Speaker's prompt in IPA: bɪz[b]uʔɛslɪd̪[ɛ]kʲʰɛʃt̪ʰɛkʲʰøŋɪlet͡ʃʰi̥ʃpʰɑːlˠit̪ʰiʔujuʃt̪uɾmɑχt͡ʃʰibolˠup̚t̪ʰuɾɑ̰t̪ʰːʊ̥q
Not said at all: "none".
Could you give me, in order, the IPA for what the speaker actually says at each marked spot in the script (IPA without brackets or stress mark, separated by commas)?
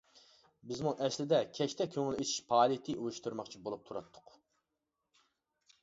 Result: m, ɛ